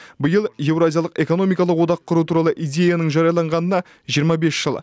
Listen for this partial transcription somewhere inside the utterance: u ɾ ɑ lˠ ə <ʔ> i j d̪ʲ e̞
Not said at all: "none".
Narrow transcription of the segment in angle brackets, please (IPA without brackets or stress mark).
ʔ